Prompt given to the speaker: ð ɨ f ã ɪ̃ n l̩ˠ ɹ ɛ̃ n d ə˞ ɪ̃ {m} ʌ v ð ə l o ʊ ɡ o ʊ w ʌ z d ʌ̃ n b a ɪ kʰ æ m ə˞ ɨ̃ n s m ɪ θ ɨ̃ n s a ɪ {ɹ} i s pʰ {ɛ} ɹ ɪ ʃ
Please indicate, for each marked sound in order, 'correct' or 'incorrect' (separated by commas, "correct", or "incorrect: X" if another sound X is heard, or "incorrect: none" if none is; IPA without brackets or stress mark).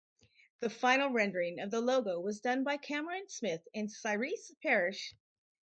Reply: incorrect: ŋ, correct, correct